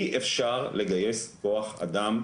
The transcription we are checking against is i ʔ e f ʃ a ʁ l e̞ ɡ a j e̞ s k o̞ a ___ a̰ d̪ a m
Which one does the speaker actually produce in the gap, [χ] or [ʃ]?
χ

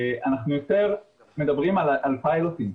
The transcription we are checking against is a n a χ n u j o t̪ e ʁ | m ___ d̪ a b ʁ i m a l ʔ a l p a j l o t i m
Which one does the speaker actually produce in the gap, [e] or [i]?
e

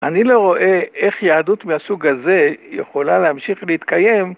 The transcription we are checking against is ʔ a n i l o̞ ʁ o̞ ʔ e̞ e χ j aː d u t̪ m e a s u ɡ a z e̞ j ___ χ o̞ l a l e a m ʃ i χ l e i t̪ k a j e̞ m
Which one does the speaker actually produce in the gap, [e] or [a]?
e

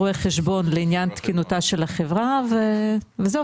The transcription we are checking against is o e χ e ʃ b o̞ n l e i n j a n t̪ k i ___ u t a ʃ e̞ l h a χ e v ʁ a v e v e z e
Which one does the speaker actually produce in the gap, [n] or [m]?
n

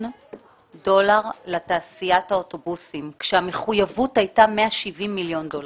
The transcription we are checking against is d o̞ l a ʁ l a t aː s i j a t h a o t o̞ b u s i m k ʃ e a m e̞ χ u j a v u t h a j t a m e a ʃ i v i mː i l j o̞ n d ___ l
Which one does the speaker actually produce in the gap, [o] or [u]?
o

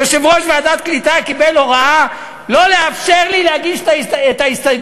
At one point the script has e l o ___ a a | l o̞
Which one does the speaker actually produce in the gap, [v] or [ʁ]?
ʁ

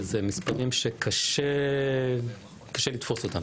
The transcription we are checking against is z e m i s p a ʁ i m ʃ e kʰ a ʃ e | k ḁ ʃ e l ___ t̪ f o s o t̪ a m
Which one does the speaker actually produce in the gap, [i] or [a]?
i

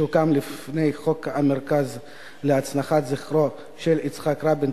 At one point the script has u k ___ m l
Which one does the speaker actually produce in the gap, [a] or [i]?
a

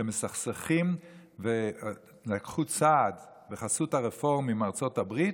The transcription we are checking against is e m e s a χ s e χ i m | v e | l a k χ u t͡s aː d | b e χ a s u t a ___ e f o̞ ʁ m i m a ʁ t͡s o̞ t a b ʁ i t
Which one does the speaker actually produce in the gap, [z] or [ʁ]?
ʁ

